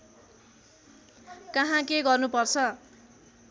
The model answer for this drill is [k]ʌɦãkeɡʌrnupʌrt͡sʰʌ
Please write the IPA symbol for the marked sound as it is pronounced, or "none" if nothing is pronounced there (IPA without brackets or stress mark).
k